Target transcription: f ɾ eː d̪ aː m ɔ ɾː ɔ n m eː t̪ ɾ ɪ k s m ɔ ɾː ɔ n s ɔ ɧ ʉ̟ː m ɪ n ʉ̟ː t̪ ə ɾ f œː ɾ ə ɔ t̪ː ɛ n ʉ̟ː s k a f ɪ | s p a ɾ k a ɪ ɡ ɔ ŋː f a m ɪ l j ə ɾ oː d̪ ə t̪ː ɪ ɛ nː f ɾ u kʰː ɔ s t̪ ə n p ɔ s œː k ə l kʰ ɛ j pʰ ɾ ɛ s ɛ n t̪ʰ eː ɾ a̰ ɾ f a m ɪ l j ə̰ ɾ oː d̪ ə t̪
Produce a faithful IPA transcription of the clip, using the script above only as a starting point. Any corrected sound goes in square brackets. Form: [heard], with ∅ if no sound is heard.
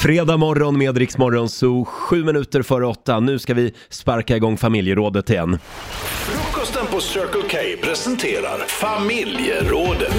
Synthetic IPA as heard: f ɾ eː d̪ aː m ɔ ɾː ɔ n m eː [d̪] ɾ ɪ k s m ɔ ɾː ɔ n s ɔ ɧ ʉ̟ː m ɪ n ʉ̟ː t̪ ə ɾ f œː ɾ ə ɔ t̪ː [a] n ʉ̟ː s k a [v] ɪ | s p a ɾ k a ɪ ɡ ɔ ŋː f a m ɪ l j ə ɾ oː d̪ ə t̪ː ɪ ɛ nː f ɾ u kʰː ɔ s t̪ ə n p ɔ s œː k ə l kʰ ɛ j pʰ ɾ ɛ s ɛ n t̪ʰ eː ɾ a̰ ɾ f a m ɪ l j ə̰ ɾ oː d̪ ə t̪